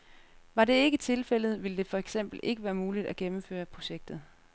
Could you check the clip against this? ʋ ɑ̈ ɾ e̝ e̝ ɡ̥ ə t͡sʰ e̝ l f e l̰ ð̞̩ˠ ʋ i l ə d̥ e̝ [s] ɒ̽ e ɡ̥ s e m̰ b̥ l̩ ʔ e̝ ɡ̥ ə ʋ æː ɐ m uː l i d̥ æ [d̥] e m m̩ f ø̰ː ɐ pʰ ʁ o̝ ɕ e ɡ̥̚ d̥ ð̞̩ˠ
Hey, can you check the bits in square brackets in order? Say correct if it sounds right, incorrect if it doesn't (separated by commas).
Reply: incorrect, incorrect